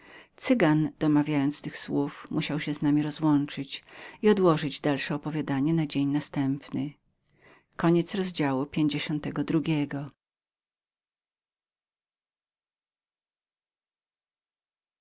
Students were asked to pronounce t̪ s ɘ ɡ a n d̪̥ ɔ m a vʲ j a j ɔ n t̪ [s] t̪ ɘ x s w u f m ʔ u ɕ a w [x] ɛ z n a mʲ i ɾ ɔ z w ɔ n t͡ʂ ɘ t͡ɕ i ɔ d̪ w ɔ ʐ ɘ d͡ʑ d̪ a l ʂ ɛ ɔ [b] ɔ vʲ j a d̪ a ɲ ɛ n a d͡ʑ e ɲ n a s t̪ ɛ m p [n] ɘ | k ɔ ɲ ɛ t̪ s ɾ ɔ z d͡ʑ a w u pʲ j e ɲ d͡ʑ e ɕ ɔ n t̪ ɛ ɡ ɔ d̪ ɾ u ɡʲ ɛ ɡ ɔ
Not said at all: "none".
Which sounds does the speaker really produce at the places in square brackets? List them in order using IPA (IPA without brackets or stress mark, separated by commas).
s, ɕ, p, n